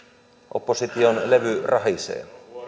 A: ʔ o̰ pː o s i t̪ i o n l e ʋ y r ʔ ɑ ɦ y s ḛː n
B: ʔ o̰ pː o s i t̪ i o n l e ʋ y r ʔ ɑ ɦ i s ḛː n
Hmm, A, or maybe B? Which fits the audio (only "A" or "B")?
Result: B